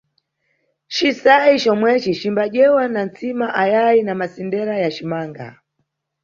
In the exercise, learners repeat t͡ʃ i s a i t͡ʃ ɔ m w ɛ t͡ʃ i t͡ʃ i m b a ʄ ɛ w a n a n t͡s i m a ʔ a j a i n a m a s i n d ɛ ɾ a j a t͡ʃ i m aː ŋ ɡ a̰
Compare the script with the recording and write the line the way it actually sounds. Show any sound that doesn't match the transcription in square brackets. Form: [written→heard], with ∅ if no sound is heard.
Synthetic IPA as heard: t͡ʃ i s a i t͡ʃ ɔ m w ɛ t͡ʃ i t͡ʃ i m b a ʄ ɛ w a n a n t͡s i m a ʔ a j a i n a m a s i n d ɛ ɾ a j a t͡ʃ i m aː ŋ ɡ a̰